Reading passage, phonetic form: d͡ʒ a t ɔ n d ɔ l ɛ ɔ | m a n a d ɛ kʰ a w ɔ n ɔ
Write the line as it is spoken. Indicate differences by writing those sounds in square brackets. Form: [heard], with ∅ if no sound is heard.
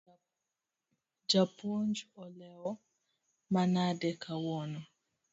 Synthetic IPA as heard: d͡ʒ a [p] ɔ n [d͡ʒ] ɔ l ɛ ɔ | m a n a d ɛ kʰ a w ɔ n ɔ